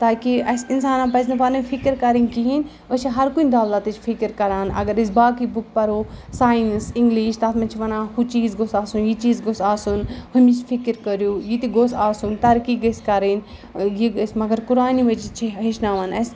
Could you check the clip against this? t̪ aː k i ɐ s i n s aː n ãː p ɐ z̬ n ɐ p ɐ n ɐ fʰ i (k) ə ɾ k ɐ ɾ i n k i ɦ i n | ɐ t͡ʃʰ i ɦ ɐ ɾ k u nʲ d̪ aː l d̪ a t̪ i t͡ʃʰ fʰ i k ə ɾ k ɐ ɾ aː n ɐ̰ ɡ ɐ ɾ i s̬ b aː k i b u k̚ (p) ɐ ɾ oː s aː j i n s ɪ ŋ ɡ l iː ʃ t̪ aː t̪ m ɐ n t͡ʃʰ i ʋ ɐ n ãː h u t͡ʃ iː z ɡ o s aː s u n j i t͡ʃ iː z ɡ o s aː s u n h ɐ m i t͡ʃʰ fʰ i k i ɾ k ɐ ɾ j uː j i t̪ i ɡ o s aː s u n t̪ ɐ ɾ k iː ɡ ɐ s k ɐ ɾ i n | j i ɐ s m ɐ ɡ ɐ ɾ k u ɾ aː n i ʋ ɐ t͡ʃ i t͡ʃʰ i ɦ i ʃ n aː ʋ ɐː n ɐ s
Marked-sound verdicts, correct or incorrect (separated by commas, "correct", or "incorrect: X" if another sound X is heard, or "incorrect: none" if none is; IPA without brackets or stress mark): correct, correct